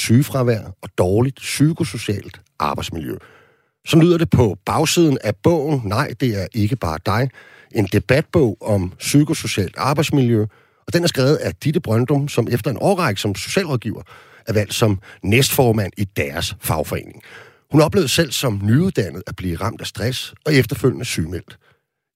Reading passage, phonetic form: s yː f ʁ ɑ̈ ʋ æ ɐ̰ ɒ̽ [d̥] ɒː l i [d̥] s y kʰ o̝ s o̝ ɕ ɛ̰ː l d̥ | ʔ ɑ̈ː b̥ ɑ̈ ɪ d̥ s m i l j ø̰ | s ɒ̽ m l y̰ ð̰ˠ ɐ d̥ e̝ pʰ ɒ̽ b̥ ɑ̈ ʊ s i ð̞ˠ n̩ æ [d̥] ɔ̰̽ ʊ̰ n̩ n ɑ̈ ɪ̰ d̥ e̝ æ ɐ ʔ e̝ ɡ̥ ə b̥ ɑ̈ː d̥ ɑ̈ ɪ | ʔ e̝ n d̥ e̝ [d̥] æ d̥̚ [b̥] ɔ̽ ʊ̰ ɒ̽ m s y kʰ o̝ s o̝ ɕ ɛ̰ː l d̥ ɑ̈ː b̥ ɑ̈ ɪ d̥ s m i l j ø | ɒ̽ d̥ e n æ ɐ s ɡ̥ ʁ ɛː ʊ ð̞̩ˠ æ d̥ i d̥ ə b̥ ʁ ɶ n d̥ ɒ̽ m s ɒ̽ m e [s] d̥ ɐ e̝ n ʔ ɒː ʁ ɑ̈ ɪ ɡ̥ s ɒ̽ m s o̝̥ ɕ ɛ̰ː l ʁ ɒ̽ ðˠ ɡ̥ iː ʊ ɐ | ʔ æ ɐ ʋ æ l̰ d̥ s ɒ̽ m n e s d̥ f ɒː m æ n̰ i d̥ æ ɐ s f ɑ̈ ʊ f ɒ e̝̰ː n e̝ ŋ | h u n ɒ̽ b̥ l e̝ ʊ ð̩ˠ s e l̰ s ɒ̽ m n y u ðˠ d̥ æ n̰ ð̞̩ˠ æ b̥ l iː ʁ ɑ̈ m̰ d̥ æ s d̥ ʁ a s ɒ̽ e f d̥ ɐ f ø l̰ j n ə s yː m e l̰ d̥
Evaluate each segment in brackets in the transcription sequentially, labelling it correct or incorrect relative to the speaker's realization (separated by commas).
correct, correct, incorrect, incorrect, correct, incorrect